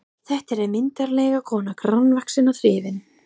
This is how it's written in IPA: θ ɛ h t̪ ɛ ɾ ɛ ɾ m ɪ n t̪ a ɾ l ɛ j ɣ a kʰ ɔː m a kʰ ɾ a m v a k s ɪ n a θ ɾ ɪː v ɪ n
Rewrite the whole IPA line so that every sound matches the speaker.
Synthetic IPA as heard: θ ɛ h t̪ ɛ ɾ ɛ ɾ m ɪ n t̪ a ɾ l ɛ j ɣ a kʰ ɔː n a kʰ ɾ a n v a k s ɪ n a θ ɾ ɪː v ɪ n